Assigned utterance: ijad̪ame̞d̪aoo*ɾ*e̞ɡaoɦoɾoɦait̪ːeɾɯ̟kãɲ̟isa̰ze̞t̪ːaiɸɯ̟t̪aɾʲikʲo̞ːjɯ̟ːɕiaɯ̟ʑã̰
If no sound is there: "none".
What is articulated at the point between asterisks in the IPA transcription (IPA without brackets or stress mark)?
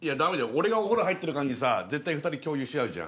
ɾ